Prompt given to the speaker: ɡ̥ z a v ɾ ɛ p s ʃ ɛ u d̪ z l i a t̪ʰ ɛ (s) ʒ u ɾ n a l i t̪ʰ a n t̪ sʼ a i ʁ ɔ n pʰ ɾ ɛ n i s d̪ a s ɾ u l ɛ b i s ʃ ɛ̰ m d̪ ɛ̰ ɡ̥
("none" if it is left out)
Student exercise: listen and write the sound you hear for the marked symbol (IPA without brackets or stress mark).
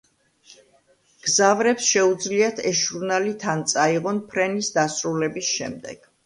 s